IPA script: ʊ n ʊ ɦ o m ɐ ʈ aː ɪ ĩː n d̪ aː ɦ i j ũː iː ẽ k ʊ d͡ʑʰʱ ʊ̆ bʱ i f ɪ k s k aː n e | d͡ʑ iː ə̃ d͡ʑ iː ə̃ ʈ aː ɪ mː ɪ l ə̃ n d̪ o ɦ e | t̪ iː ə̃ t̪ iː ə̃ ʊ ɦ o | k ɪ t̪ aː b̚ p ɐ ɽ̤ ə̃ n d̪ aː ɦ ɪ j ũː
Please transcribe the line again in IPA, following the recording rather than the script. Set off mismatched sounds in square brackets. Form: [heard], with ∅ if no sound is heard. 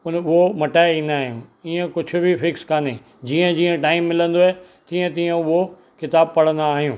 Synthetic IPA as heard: ʊ n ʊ ɦ o m ɐ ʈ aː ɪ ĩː n d̪ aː ɦ i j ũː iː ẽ k ʊ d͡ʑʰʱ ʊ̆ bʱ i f ɪ k s k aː n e | d͡ʑ iː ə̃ d͡ʑ iː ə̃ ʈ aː ɪ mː ɪ l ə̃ n d̪ o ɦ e | t̪ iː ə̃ t̪ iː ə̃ ʊ ɦ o | k ɪ t̪ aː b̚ p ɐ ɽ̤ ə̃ n d̪ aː ɦ [i] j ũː